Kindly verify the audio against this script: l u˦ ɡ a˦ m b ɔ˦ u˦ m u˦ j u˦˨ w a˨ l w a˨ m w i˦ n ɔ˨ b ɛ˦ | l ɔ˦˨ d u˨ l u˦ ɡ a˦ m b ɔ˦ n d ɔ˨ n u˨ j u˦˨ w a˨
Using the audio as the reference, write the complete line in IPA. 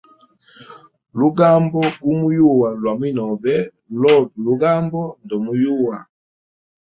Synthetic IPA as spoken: l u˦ ɡ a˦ m b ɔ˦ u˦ m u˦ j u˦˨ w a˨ l w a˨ m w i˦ n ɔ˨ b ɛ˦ | l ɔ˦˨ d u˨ l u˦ ɡ a˦ m b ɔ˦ n d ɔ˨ m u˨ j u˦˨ w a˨